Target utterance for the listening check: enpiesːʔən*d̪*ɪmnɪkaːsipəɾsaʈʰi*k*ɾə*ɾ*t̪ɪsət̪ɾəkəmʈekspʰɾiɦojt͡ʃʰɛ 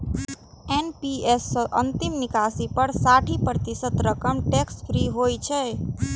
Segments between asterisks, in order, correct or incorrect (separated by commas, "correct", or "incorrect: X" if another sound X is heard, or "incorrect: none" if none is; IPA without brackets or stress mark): incorrect: t̪, incorrect: p, incorrect: none